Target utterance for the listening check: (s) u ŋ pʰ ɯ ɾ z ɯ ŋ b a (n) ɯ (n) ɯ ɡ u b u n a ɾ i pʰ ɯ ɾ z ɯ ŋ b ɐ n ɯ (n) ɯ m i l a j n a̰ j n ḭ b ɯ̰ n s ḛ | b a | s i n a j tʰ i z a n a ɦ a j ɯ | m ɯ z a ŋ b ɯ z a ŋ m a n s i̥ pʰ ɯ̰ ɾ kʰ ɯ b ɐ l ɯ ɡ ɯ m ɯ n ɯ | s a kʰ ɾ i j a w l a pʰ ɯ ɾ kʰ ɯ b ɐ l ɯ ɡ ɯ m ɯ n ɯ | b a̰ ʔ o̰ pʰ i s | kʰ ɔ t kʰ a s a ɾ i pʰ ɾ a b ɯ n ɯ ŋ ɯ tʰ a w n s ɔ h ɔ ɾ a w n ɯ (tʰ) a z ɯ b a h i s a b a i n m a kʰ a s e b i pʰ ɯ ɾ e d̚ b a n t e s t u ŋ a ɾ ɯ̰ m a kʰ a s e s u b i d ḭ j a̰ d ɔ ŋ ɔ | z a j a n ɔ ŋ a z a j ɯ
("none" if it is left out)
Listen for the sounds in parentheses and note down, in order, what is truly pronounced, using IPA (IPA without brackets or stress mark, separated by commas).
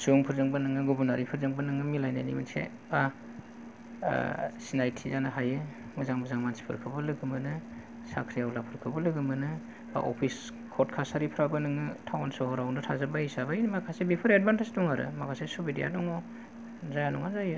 s, n, ŋ, ŋ, tʰ